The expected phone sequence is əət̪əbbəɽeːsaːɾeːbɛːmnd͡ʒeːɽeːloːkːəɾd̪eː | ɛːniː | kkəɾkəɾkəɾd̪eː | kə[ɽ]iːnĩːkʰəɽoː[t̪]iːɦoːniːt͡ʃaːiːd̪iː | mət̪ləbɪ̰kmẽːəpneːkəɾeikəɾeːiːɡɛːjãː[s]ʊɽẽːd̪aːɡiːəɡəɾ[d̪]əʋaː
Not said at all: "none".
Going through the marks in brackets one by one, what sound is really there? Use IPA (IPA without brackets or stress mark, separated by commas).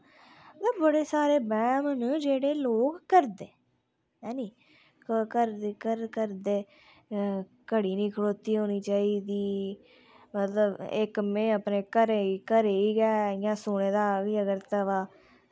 ɽ, t̪, s, t̪